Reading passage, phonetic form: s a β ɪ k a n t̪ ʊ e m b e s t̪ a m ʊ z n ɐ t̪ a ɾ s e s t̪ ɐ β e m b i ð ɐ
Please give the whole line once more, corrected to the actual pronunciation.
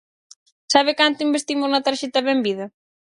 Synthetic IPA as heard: s a β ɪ k a n t̪ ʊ i m b e s t̪ i m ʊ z n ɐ t̪ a ɾ ʃ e t̪ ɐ β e m b i ð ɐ